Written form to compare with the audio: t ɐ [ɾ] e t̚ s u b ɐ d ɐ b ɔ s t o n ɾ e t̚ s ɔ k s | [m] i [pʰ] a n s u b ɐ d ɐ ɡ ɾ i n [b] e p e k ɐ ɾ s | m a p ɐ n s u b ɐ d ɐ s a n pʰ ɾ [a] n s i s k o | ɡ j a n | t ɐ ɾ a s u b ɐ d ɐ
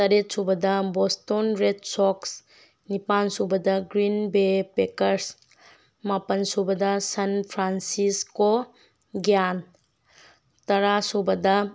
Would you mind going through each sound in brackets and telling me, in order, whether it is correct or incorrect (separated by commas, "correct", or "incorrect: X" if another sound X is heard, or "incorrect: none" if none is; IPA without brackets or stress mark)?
correct, incorrect: n, incorrect: p, correct, correct